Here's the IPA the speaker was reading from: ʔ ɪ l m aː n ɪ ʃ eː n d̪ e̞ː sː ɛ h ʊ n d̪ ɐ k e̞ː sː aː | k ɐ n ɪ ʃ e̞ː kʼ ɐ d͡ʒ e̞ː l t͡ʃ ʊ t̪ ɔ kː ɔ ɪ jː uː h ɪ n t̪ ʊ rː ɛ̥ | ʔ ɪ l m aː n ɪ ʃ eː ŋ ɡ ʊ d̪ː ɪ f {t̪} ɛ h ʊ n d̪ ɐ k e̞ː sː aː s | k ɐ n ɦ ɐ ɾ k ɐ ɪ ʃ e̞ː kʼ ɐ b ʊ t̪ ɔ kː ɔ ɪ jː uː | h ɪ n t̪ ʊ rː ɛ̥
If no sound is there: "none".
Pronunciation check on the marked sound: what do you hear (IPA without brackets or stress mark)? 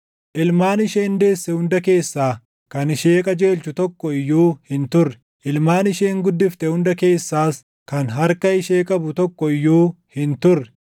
t̪